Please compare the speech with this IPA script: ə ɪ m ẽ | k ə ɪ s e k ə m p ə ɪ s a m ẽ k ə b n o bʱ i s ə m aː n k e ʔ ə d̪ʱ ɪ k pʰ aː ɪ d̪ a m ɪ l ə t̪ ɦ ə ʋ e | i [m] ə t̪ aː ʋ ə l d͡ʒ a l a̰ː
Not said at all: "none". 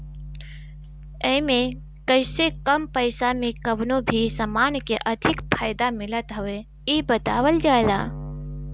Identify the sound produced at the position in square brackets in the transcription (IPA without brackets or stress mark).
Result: b